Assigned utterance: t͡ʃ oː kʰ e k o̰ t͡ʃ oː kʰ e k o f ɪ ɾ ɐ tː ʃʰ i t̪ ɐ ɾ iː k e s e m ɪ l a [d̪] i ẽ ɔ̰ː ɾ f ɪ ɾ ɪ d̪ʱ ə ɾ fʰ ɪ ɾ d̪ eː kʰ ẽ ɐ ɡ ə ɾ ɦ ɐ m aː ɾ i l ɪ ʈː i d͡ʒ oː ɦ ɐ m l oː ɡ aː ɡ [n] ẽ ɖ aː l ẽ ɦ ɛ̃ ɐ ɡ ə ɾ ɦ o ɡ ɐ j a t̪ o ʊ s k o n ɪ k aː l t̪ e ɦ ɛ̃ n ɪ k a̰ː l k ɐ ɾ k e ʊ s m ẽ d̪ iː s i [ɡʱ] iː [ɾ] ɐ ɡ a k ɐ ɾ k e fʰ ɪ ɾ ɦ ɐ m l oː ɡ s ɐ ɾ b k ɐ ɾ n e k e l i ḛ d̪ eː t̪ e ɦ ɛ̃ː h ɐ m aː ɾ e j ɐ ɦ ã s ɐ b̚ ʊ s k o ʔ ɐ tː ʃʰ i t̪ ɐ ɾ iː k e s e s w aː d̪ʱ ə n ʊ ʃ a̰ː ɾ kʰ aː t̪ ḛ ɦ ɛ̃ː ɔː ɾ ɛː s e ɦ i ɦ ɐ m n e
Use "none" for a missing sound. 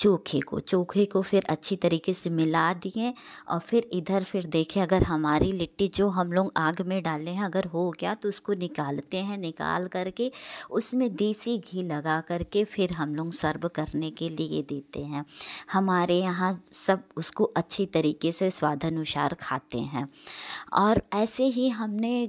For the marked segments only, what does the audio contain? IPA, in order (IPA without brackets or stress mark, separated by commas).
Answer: d̪, m, ɡʱ, l